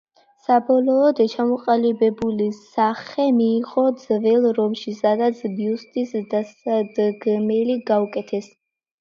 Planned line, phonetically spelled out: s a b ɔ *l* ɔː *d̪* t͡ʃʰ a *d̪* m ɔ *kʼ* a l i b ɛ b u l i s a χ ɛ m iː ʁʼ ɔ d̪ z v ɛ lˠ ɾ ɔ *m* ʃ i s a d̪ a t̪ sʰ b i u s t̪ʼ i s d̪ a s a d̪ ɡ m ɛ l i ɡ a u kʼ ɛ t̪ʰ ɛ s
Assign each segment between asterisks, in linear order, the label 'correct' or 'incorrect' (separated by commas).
correct, correct, incorrect, incorrect, correct